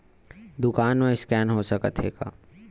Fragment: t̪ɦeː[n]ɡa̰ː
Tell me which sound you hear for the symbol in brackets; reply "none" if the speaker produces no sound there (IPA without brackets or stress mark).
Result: none